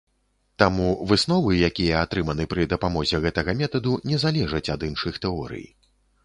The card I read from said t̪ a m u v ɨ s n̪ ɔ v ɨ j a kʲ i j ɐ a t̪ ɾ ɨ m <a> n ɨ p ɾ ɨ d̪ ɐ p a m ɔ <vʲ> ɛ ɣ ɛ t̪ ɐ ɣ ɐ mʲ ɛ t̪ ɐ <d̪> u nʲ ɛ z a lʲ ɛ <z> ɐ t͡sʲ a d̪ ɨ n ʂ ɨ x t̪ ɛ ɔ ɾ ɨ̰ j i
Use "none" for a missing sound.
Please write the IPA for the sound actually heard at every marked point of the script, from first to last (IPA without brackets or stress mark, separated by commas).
ɐ, zʲ, d̪, ʐ